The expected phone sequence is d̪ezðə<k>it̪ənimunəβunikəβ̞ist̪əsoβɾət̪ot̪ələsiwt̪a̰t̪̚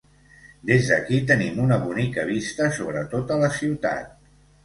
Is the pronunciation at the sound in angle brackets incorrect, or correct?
correct